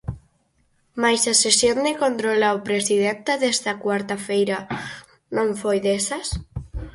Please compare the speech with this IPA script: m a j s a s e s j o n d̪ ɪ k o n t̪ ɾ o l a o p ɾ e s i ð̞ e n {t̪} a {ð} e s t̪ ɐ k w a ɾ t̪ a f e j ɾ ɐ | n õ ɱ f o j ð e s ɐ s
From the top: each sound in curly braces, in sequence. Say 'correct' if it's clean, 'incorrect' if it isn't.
correct, correct

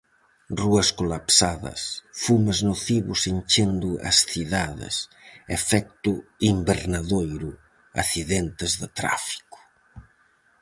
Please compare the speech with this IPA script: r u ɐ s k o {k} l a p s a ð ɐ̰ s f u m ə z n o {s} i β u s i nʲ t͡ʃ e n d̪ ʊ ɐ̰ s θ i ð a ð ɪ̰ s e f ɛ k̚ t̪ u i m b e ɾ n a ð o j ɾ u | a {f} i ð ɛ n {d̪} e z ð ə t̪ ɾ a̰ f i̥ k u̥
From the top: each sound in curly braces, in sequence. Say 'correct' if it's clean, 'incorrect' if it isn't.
incorrect: none, incorrect: θ, incorrect: θ, incorrect: t̪

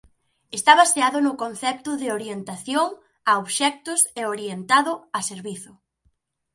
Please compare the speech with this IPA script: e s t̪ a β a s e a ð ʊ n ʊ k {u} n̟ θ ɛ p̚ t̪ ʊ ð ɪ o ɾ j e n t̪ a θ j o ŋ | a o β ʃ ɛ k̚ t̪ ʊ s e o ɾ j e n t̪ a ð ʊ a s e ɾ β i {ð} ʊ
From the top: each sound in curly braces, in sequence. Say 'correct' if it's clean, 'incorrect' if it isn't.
incorrect: o, incorrect: θ

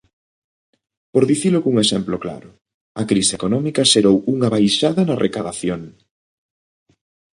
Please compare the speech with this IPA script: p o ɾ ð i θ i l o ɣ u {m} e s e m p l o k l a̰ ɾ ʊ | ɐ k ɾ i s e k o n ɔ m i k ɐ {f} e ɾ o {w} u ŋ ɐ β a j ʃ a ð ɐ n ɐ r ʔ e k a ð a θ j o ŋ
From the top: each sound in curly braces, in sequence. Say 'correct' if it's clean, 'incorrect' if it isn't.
incorrect: ŋ, incorrect: ʃ, correct

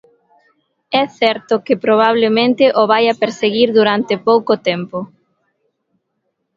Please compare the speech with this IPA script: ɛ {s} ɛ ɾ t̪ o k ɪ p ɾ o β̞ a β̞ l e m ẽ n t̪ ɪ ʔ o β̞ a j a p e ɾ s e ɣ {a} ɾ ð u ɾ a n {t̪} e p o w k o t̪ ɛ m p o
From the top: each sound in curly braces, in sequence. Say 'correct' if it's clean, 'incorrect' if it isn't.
incorrect: θ, incorrect: i, correct

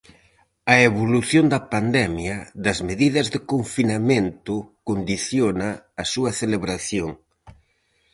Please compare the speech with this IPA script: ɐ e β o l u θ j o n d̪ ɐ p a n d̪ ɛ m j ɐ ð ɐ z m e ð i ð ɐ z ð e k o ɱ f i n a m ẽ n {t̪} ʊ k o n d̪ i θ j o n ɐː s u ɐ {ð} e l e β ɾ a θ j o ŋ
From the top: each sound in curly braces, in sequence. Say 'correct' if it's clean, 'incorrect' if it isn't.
correct, incorrect: θ

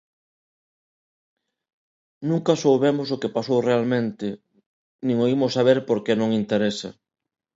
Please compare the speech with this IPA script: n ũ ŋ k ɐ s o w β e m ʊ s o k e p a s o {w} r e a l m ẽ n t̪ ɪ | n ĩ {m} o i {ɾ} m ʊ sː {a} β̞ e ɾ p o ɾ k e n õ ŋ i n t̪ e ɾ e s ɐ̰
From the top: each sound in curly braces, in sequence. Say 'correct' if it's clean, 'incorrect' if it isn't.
correct, incorrect: ŋ, incorrect: none, correct

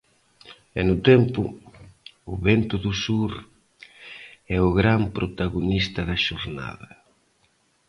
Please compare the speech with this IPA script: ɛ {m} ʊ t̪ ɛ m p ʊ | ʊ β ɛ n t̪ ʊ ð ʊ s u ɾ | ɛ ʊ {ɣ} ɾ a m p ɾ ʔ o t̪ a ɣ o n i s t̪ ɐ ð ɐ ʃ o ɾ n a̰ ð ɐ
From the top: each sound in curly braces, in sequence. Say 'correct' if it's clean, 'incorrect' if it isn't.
incorrect: n, correct

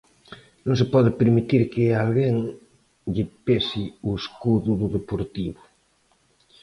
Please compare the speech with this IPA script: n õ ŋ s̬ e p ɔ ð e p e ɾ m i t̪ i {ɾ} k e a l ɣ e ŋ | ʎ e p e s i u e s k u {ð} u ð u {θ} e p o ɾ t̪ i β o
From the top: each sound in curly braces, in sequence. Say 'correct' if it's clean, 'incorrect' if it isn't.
correct, correct, incorrect: ð

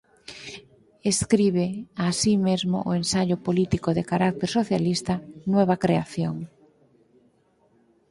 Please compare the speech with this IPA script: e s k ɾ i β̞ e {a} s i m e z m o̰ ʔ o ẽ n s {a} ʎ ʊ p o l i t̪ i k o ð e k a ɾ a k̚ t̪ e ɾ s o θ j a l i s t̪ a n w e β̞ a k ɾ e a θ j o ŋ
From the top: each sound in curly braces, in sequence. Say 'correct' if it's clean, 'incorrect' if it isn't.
correct, correct

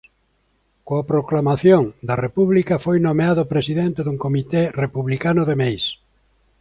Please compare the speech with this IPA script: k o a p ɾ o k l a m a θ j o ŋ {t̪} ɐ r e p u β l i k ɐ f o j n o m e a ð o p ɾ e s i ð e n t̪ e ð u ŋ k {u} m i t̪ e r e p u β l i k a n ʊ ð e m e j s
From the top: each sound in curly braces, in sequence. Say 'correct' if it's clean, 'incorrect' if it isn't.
incorrect: d̪, incorrect: o

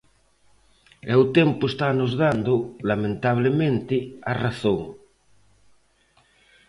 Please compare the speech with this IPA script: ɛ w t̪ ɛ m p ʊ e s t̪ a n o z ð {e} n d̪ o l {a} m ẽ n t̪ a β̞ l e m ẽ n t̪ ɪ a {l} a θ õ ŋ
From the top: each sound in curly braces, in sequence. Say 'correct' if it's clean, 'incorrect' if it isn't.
incorrect: a, correct, incorrect: r

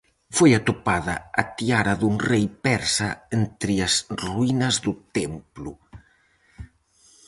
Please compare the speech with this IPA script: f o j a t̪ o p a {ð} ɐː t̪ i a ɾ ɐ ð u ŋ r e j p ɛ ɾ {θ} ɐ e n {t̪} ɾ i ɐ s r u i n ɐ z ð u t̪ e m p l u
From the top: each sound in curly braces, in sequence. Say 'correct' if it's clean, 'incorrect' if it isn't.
correct, incorrect: s, correct

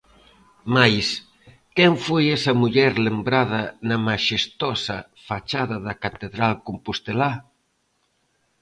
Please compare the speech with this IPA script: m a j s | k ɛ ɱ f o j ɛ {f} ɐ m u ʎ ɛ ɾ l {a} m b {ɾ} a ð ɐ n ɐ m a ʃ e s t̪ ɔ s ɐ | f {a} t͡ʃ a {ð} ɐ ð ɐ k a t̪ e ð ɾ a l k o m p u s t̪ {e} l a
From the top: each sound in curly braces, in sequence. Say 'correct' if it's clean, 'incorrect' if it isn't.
incorrect: s, incorrect: e, correct, correct, correct, correct

